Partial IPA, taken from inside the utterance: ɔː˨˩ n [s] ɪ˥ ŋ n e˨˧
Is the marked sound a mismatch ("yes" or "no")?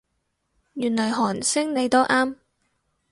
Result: no